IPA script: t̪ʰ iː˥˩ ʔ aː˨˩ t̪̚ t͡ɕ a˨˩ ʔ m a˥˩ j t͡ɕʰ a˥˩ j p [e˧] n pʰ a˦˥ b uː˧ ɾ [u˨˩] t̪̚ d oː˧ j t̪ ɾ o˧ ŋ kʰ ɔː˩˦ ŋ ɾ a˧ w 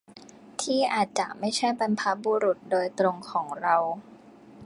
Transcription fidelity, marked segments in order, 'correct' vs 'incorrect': incorrect: a˧, correct

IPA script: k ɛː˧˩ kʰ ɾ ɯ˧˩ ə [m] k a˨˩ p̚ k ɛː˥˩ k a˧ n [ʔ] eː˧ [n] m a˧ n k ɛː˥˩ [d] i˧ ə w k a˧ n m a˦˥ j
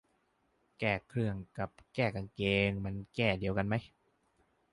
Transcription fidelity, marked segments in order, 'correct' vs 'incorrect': incorrect: ŋ, incorrect: k, incorrect: ŋ, correct

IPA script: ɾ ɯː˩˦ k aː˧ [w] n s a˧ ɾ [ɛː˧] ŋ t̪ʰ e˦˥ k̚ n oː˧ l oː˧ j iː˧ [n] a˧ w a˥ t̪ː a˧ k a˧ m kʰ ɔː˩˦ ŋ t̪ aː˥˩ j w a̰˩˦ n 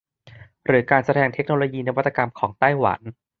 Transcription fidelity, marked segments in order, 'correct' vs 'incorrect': incorrect: none, correct, correct

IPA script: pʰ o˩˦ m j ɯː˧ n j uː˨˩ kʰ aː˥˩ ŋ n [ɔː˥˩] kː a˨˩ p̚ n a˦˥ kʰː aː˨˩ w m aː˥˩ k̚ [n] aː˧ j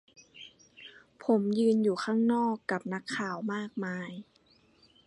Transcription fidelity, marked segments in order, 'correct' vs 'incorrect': correct, incorrect: m

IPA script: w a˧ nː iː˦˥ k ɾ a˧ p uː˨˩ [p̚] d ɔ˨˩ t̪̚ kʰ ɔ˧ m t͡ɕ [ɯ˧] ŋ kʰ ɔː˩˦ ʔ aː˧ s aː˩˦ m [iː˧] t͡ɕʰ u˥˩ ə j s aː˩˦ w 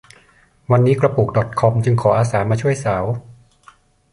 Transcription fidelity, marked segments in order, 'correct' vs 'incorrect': incorrect: k̚, correct, incorrect: aː˧

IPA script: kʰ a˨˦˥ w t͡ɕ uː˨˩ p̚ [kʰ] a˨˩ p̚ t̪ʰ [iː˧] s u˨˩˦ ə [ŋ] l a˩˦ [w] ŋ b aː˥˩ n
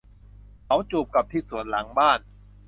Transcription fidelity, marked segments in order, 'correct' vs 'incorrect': incorrect: k, incorrect: iː˥˩, incorrect: n, incorrect: none

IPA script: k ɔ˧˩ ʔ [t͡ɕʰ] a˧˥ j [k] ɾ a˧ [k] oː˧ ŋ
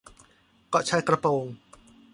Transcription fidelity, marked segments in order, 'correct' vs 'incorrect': correct, correct, incorrect: p

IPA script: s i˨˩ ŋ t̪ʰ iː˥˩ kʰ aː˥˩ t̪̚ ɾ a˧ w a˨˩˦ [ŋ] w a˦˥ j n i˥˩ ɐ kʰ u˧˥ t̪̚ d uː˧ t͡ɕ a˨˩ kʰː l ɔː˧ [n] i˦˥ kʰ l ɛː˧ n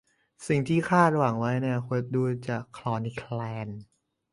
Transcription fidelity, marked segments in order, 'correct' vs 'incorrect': correct, correct

